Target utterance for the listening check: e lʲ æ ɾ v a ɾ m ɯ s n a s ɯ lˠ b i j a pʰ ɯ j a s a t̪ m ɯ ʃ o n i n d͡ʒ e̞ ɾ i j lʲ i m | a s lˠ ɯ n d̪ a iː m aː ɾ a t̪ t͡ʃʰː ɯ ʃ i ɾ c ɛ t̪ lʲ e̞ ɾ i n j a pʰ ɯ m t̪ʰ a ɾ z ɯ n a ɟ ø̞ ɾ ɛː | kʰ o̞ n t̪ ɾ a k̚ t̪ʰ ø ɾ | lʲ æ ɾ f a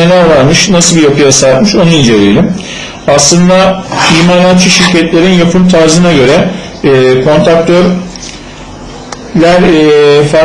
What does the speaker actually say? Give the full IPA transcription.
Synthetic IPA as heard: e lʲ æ ɾ v a ɾ m ɯ ʃ n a s ɯ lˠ b i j a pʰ ɯ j a s a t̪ m ɯ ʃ o n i n d͡ʒ e̞ ɾ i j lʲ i m | a s lˠ ɯ n d̪ a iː m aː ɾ a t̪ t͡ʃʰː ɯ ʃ i ɾ c ɛ t̪ lʲ e̞ ɾ i n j a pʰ ɯ m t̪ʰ a ɾ z ɯ n a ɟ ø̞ ɾ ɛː | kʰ o̞ n t̪ ɾ a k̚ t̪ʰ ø ɾ | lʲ æ ɾ f a